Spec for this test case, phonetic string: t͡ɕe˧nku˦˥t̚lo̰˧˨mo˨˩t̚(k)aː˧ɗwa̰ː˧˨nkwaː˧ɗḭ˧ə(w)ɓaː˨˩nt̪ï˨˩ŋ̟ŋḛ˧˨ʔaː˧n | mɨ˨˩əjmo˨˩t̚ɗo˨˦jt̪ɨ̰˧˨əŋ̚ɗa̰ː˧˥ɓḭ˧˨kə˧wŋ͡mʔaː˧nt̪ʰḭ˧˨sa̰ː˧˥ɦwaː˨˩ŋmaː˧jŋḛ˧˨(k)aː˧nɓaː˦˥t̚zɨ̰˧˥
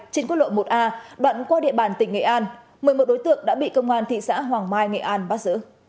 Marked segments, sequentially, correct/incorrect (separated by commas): incorrect, incorrect, incorrect